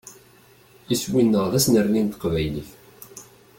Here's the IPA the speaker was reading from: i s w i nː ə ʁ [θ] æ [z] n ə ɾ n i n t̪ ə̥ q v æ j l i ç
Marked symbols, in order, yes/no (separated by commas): no, no